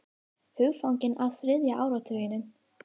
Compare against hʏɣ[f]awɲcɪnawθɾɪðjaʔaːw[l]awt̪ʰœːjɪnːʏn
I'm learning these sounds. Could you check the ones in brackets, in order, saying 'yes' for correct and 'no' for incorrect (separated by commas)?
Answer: yes, no